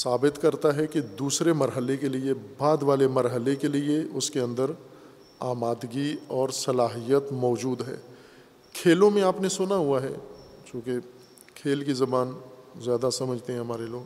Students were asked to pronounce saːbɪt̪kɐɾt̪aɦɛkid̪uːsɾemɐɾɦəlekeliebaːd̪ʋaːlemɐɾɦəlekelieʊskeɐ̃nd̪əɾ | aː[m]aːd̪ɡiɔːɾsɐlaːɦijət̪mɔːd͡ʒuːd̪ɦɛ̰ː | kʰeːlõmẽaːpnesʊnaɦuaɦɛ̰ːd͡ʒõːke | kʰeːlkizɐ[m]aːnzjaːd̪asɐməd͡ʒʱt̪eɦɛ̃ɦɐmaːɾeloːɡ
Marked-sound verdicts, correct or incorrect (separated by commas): correct, incorrect